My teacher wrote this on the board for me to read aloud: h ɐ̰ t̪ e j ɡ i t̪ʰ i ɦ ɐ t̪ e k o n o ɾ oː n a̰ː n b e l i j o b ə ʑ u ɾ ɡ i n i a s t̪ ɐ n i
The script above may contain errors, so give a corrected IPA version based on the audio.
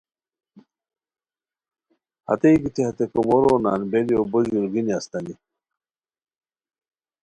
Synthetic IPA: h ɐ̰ t̪ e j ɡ i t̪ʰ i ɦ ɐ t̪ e k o m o ɾ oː n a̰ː n b e l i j o b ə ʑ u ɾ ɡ i n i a s t̪ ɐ n i